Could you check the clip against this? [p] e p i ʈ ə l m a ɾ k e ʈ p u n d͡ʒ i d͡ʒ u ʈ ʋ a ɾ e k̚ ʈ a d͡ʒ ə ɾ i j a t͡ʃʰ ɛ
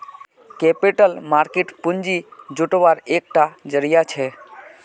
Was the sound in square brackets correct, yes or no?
no